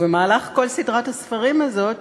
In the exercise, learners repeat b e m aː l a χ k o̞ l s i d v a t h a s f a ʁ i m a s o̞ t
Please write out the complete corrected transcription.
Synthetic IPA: v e m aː l a χ k o̞ l s i d ʁ a t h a s f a ʁ i m a z o̞ t